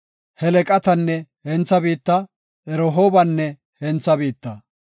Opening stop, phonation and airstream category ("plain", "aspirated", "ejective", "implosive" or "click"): ejective